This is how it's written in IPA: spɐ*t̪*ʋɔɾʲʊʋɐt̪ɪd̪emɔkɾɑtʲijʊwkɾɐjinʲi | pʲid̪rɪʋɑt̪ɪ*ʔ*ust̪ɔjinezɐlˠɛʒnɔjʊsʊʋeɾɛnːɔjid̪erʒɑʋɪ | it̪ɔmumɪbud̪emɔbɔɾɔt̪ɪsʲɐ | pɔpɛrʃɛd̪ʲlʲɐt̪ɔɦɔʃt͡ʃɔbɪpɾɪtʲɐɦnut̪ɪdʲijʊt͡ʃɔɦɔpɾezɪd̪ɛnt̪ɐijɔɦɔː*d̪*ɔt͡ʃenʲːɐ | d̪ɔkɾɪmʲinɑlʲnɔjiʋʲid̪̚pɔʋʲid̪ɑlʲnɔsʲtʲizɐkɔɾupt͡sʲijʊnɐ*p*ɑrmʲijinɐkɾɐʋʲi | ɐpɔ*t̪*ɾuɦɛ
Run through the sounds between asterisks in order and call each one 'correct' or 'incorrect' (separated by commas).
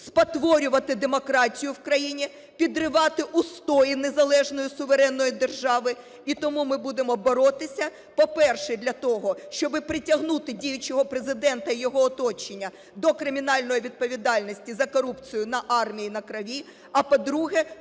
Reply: correct, correct, incorrect, incorrect, incorrect